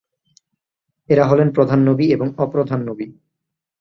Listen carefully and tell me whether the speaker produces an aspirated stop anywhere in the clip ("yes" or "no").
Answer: no